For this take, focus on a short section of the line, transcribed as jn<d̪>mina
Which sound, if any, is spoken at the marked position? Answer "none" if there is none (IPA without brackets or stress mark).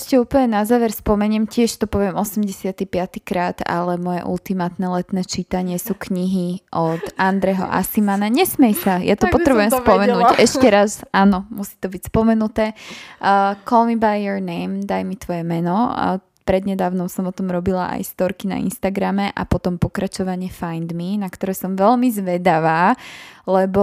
d̪